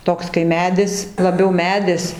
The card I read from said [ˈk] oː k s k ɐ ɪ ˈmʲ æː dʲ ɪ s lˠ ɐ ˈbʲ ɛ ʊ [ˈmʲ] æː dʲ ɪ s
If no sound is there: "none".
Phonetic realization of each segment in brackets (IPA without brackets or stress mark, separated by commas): t, mʲ